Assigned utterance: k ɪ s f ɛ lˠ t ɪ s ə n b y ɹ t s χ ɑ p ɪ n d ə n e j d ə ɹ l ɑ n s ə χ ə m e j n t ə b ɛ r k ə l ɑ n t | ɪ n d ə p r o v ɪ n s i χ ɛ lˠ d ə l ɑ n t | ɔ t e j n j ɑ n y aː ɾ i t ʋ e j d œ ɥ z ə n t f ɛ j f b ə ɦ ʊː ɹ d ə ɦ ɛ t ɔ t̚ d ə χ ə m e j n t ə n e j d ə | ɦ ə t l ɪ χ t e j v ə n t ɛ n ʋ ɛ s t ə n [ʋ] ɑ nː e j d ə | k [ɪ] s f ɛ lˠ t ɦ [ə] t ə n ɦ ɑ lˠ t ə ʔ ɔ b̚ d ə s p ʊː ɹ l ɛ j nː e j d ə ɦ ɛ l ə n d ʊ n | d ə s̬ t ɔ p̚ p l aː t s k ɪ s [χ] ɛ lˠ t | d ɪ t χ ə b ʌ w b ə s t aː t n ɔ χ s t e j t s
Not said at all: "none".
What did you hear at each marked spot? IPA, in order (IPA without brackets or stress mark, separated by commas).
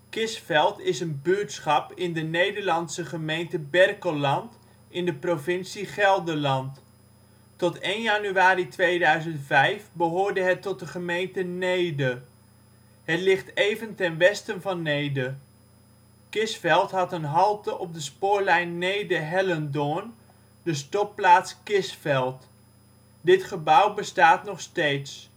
v, ɪ, ɑ, f